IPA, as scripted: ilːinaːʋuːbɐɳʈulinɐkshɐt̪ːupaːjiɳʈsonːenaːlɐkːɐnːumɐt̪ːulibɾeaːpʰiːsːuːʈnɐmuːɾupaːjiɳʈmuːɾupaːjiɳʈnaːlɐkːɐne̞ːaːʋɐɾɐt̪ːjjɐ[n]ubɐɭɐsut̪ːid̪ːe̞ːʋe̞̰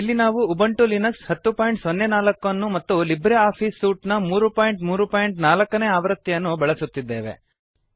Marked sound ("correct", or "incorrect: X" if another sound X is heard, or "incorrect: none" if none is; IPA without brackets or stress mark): incorrect: nː